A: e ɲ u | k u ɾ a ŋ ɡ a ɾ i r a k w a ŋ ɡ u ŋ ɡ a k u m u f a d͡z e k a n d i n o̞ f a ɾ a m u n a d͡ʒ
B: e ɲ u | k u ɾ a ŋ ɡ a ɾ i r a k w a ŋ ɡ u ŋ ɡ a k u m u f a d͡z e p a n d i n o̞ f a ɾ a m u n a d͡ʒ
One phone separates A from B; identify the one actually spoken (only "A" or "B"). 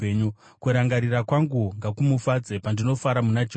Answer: B